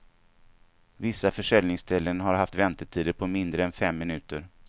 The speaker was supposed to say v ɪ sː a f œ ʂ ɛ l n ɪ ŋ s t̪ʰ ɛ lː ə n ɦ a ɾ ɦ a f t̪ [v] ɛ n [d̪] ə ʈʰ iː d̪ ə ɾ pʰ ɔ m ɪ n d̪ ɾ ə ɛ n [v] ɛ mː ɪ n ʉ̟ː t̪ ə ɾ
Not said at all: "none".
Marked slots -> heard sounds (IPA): v, t̪, f

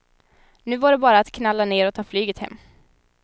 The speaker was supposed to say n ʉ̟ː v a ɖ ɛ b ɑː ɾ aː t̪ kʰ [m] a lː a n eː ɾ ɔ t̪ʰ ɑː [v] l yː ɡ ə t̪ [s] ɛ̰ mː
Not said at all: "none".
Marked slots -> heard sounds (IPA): n, f, h

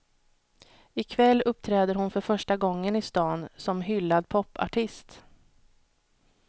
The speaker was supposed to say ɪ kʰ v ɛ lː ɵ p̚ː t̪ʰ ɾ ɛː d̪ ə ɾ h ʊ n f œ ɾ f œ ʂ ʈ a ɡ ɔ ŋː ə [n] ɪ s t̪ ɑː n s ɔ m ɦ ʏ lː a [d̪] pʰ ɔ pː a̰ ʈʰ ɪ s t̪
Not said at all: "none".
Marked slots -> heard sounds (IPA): n, d̪

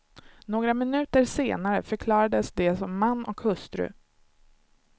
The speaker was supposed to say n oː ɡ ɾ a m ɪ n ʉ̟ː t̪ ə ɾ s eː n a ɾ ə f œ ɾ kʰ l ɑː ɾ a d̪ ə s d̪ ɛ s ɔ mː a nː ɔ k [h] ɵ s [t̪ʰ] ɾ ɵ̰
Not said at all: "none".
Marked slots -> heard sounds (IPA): h, t̪

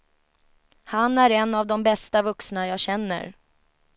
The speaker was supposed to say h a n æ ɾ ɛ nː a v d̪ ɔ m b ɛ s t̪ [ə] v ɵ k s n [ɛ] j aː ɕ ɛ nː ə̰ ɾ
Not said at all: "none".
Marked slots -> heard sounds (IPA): a, a

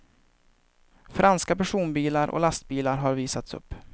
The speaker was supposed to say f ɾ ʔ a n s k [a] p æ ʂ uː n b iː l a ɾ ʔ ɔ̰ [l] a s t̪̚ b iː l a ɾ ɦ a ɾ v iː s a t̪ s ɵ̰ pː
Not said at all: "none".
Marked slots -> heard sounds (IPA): a, l

